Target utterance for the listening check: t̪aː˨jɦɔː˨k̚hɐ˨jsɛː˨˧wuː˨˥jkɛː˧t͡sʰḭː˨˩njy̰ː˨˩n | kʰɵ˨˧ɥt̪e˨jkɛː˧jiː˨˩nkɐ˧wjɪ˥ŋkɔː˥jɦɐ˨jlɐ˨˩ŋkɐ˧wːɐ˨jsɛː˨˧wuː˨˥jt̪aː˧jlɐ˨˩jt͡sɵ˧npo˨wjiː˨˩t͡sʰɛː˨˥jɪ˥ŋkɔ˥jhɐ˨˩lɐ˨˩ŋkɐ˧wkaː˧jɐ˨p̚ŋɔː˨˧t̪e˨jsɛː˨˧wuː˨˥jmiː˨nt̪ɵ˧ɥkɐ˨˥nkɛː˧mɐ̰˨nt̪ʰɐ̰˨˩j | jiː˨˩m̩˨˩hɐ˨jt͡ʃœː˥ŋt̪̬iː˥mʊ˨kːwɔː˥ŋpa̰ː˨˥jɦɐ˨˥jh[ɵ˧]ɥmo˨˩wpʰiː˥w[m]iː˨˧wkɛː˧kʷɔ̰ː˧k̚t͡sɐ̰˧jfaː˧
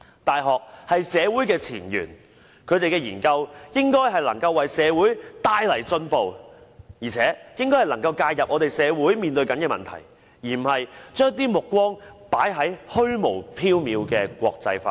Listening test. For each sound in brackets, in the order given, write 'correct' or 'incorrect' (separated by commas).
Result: incorrect, correct